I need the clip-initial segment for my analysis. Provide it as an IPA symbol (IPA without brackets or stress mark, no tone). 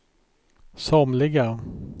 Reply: s